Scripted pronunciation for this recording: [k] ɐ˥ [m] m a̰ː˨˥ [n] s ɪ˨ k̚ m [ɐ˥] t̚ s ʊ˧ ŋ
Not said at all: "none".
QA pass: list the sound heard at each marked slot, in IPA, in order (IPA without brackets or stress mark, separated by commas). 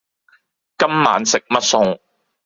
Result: k, m, n, ɐ˥